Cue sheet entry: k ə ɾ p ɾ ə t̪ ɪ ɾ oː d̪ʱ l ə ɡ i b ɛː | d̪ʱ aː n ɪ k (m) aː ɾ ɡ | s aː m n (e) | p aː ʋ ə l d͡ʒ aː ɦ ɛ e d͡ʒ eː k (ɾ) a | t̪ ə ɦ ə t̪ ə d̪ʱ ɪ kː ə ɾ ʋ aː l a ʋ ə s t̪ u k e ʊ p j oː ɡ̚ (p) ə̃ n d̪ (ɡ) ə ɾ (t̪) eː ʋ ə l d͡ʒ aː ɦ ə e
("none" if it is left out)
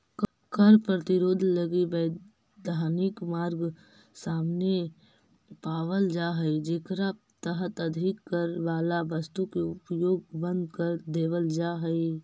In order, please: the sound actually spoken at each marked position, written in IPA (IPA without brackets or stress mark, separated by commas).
m, e, ɾ, b, k, d̪